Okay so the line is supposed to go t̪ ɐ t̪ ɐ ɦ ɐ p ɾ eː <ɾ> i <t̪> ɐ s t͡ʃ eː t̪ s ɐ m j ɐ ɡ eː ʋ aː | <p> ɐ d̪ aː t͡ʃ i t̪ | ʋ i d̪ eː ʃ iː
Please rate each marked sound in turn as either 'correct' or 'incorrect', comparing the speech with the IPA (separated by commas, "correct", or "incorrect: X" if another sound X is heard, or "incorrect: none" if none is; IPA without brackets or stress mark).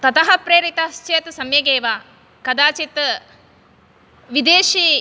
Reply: correct, correct, incorrect: k